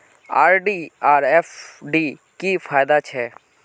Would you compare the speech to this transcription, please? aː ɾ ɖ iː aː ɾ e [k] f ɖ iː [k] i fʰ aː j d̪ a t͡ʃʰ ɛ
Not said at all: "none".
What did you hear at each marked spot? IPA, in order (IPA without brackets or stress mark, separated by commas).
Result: none, k